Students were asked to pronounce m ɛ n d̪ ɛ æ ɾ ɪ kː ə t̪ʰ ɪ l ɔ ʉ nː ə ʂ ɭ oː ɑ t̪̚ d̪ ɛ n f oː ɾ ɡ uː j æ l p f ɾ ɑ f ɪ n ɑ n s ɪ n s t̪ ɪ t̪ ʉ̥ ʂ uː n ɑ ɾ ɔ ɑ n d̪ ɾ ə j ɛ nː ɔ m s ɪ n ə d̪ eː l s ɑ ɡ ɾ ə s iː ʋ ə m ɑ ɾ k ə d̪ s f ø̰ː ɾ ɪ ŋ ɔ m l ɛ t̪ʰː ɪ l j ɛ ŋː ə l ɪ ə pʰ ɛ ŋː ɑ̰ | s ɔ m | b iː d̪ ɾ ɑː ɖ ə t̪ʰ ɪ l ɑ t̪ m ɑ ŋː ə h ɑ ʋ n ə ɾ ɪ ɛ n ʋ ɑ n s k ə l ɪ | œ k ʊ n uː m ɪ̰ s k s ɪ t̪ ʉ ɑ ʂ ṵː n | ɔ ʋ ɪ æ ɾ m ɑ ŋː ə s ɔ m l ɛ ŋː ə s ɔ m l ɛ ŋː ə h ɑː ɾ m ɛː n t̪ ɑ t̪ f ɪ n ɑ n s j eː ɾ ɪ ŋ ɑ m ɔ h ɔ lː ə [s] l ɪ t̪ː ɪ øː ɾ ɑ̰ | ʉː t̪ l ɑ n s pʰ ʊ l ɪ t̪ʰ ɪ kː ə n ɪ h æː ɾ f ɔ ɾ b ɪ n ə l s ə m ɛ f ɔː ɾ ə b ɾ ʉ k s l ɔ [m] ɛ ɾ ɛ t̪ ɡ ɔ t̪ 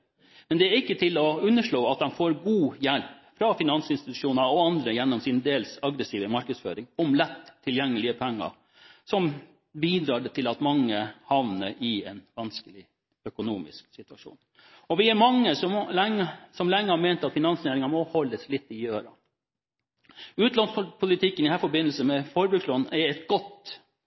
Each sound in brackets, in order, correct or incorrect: correct, incorrect: n

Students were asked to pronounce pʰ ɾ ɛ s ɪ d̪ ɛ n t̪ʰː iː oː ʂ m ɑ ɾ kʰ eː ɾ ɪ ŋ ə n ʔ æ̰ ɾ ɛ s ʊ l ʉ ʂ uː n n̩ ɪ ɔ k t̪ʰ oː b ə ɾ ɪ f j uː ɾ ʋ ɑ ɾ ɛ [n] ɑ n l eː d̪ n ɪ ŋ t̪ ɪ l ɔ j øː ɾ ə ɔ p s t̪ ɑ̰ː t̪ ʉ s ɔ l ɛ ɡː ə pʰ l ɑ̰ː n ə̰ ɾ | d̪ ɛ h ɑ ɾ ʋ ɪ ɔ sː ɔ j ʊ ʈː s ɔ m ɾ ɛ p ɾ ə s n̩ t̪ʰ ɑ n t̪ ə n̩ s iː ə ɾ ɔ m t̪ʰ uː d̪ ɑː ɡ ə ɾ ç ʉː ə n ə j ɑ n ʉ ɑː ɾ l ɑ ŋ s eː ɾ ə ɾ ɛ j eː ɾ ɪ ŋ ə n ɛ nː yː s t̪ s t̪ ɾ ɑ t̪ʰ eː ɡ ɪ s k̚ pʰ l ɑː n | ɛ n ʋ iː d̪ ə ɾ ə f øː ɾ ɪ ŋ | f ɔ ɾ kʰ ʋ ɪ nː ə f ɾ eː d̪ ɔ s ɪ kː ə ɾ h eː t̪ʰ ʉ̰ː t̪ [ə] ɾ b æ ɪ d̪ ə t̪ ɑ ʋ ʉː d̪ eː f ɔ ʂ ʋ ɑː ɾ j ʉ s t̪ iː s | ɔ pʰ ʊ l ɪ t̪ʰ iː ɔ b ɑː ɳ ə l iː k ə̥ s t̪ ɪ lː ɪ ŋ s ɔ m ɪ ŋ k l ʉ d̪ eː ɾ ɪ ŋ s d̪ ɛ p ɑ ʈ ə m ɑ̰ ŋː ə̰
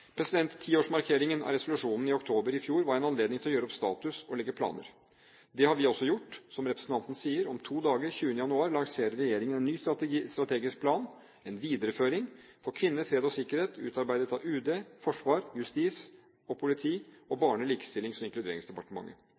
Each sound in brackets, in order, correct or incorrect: correct, incorrect: ɑ

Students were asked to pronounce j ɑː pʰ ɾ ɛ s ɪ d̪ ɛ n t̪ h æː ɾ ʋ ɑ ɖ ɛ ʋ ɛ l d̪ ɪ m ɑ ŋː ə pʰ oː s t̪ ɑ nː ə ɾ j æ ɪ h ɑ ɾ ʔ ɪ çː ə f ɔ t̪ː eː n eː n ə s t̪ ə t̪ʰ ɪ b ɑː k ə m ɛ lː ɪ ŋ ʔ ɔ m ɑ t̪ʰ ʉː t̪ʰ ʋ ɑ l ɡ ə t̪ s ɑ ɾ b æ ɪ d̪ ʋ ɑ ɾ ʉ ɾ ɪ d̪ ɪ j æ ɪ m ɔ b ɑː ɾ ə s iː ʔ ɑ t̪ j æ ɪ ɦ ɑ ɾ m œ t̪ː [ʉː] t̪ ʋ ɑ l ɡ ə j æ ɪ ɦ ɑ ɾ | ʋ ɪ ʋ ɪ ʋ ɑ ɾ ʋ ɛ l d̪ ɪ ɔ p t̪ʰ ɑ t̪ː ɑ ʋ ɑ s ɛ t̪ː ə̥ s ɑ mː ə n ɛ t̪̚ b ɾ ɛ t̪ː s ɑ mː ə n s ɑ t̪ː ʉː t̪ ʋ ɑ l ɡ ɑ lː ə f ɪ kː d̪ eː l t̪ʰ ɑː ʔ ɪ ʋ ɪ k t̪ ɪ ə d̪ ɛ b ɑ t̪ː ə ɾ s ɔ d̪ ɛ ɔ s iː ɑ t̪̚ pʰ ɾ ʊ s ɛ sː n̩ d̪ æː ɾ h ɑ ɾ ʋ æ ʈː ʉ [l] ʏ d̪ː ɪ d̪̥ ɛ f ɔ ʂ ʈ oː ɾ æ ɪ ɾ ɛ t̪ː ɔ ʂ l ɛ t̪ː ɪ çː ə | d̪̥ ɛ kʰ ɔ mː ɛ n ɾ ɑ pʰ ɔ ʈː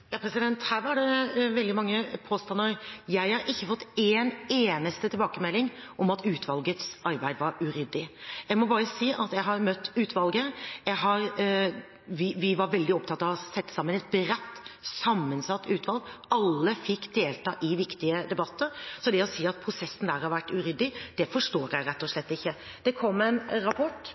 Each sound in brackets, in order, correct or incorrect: correct, incorrect: ɾ

